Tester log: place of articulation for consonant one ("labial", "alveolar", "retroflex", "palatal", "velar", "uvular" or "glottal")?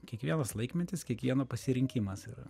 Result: velar